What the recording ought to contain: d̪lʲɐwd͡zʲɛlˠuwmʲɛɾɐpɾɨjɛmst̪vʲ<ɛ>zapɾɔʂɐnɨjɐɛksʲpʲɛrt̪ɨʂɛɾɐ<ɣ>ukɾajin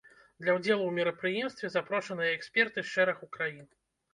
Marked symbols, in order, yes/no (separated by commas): yes, no